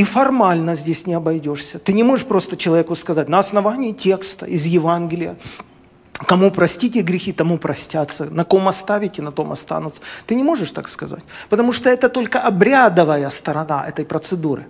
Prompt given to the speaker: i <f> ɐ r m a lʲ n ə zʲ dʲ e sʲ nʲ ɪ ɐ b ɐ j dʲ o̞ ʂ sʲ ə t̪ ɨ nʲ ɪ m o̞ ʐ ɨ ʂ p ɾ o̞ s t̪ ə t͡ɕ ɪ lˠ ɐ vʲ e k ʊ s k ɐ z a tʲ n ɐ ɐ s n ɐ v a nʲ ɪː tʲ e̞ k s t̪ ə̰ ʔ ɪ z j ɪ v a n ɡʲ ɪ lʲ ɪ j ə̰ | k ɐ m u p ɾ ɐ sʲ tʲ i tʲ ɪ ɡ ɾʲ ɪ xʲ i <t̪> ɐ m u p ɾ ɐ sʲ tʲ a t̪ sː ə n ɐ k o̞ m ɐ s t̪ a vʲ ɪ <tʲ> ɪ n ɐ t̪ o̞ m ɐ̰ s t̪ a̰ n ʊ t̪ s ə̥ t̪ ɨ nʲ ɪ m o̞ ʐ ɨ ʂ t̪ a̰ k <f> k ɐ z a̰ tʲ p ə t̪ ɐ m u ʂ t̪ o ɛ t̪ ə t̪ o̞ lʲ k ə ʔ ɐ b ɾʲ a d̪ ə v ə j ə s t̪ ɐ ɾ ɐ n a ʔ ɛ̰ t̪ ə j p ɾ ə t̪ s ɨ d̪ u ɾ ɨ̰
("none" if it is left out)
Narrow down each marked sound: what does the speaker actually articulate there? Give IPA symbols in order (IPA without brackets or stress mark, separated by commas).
f, t̪, tʲ, s